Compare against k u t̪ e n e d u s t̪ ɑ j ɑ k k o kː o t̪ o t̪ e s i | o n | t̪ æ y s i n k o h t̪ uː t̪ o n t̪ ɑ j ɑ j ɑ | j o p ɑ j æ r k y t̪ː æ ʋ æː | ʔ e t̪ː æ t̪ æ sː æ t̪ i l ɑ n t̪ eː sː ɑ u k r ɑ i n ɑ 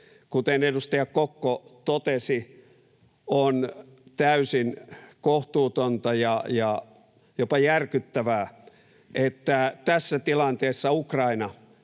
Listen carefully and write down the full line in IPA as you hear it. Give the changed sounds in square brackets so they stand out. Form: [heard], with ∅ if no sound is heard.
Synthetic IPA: k u t̪ e n e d u s t̪ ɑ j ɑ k k o kː o t̪ o t̪ e s i | o n | t̪ æ y s i n k o h t̪ uː t̪ o n t̪ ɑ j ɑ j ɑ | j o p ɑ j æ r k y t̪ː æ ʋ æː | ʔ e t̪ː æ t̪ æ sː æ t̪ i l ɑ n t̪ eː sː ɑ u k r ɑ i n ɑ